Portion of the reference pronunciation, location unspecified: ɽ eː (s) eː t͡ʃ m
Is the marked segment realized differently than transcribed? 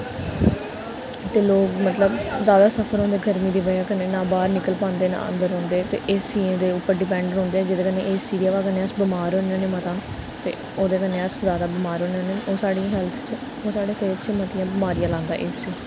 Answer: no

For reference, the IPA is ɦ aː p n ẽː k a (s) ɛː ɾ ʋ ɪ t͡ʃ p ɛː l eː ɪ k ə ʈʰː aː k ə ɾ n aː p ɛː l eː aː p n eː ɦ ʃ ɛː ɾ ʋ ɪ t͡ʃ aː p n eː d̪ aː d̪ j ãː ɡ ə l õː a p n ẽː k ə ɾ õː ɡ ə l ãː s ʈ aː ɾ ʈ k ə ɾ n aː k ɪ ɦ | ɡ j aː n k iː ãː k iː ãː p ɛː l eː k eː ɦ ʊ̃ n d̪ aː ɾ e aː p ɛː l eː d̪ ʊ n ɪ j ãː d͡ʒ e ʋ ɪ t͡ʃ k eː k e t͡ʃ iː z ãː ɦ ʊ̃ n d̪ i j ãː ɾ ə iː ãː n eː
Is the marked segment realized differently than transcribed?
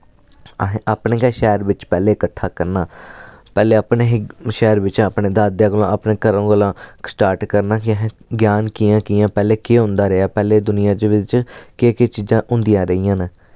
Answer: yes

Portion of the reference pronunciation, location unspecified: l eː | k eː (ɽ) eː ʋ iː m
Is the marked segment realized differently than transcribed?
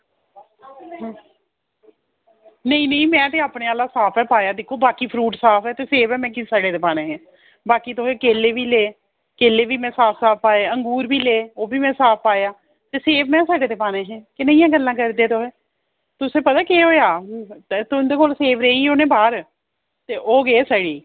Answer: yes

